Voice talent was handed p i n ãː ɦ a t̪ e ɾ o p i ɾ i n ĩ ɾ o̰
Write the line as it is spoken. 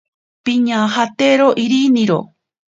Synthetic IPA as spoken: p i ɲ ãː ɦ a t̪ e ɾ o ʔ i ɾ i n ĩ ɾ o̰